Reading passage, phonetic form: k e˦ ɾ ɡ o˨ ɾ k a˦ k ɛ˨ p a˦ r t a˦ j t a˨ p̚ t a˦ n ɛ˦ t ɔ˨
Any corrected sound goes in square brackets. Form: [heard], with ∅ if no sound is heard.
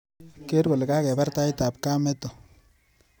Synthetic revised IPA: k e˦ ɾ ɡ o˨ [l] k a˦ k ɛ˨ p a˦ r t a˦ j t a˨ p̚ [k] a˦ [m] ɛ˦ t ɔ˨